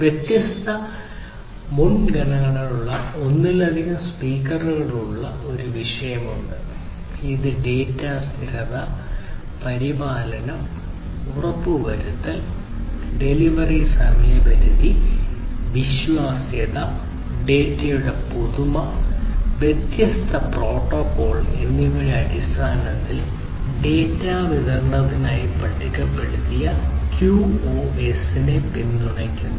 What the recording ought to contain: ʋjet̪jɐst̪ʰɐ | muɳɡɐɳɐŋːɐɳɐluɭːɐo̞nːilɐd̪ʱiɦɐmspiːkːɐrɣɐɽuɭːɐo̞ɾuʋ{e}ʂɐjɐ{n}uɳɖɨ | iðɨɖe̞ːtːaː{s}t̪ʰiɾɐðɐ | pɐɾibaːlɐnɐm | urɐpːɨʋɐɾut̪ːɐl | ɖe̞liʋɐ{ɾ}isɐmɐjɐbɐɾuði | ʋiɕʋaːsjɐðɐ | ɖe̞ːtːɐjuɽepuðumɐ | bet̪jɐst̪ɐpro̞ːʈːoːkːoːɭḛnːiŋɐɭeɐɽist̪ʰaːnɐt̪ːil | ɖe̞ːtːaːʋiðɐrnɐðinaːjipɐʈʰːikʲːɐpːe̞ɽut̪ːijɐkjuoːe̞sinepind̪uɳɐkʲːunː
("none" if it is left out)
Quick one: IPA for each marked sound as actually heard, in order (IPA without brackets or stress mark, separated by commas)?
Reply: i, m, s, r